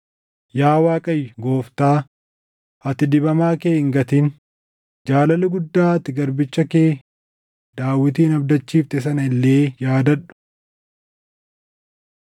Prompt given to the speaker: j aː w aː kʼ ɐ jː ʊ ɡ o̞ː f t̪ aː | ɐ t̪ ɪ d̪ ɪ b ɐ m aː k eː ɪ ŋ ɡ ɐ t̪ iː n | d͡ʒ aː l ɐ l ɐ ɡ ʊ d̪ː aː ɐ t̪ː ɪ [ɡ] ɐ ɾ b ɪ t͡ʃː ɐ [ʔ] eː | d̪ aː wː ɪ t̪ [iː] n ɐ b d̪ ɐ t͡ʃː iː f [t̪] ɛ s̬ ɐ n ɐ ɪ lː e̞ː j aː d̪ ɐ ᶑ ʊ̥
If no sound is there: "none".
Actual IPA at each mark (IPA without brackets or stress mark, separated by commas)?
ɡ, k, iː, t̪